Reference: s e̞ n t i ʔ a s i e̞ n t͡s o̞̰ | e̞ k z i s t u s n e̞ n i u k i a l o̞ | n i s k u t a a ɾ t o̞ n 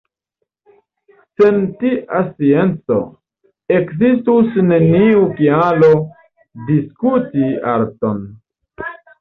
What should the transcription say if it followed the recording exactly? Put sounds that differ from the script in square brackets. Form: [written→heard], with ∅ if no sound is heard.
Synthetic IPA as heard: s e̞ n t i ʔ a s i e̞ n t͡s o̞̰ | e̞ k z i s t u s n e̞ n i u k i a l o̞ | [n→d] i s k u t [a→i] a ɾ t o̞ n

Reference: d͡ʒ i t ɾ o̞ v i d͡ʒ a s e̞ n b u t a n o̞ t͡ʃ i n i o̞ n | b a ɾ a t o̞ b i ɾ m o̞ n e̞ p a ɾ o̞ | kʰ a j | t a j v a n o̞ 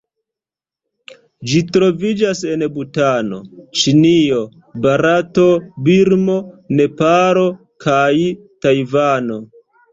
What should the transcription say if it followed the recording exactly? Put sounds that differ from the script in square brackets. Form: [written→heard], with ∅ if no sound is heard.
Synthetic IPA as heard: d͡ʒ i t ɾ o̞ v i d͡ʒ a s e̞ n b u t a n o̞ t͡ʃ i n i o̞ [n→∅] | b a ɾ a t o̞ b i ɾ m o̞ n e̞ p a ɾ o̞ | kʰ a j | t a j v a n o̞

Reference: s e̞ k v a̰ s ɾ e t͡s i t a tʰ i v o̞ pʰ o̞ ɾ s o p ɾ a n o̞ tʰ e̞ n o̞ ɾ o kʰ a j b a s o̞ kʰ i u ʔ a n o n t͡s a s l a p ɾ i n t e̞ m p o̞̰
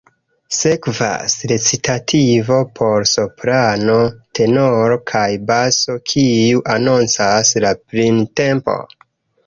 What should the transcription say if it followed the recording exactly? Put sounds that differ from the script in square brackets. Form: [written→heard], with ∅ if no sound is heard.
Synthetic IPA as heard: s e̞ k v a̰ s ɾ e t͡s i t a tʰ i v o̞ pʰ o̞ ɾ s o p ɾ a n o̞ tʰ e̞ n o̞ ɾ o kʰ a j b a s o̞ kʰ i u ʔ a n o n t͡s a s l a p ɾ i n t e̞ m p o̞̰

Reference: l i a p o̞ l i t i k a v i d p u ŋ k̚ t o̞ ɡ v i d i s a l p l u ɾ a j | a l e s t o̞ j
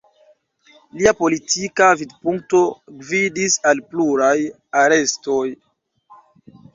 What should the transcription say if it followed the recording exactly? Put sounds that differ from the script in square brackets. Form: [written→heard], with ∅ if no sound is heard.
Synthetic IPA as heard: l i a p o̞ l i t i k a v i d p u ŋ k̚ t o̞ ɡ v i d i s a l p l u ɾ a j | a [l→ɾ] e s t o̞ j

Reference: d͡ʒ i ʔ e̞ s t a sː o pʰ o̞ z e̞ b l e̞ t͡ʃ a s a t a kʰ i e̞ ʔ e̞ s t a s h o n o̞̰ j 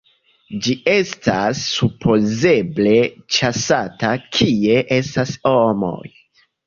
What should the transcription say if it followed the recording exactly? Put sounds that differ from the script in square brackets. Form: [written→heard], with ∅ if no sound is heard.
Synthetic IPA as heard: d͡ʒ i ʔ e̞ s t a sː [o→u] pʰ o̞ z e̞ b l e̞ t͡ʃ a s a t a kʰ i e̞ ʔ e̞ s t a s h o [n→m] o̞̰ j

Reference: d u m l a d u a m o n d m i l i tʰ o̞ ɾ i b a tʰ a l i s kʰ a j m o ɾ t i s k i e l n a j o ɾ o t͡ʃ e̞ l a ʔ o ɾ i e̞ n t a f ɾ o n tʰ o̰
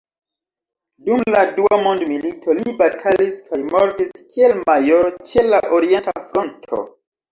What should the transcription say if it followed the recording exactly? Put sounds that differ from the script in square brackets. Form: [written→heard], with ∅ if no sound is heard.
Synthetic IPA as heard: d u m l a d u a m o n d m i l i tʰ o̞ [ɾ→l] i b a tʰ a l i s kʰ a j m o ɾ t i s k i e l [n→m] a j o ɾ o t͡ʃ e̞ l a ʔ o ɾ i e̞ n t a f ɾ o n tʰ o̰

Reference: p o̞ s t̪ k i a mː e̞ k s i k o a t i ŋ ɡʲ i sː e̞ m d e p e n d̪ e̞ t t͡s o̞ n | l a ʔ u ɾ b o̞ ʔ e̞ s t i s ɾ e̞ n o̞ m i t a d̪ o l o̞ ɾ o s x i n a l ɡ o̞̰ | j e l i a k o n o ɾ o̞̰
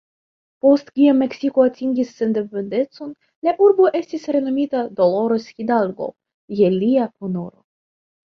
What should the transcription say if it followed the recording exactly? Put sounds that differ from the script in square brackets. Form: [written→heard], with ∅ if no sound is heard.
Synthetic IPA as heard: p o̞ s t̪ k i a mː e̞ k s i k o a t i ŋ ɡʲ i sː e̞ [m→n] d e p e n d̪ e̞ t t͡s o̞ n | l a ʔ u ɾ b o̞ ʔ e̞ s t i s ɾ e̞ n o̞ m i t a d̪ o l o̞ ɾ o s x i [n→d] a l ɡ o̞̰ | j e l i a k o n o ɾ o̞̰

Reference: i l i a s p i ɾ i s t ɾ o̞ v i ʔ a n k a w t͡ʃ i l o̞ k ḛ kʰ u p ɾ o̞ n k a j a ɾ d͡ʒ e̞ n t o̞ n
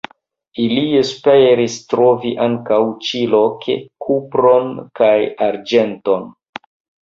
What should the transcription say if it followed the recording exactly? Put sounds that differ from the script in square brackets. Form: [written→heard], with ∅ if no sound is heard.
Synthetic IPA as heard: i l i [a→e] s p [i→e] ɾ i s t ɾ o̞ v i ʔ a [n→ŋ] k a w t͡ʃ i l o̞ k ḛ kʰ u p ɾ o̞ n k a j a ɾ d͡ʒ e̞ n t o̞ n

